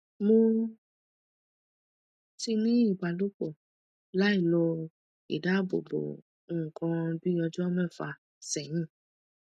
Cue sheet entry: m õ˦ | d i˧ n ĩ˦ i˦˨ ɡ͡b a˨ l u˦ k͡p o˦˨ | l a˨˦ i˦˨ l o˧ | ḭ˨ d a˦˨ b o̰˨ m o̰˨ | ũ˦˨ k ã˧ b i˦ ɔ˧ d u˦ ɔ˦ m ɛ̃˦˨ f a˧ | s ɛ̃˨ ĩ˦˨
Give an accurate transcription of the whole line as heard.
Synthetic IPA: m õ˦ | t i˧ n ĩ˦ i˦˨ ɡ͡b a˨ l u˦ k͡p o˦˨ | l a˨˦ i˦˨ l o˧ | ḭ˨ d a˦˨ b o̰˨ b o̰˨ | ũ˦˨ k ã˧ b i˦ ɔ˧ d͡ʒ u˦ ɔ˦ m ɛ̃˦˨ f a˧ | s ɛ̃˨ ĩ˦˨